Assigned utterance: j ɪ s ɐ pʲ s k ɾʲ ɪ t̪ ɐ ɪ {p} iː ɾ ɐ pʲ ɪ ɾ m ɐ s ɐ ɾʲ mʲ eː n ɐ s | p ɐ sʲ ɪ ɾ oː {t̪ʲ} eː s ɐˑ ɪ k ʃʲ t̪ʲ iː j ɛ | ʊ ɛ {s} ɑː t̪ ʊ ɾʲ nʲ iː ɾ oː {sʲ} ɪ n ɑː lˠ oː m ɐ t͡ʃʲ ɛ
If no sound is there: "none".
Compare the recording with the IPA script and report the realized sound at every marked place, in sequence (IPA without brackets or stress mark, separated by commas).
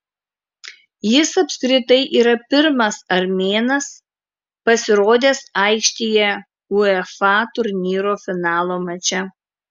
ʔ, d̪ʲ, f, fʲ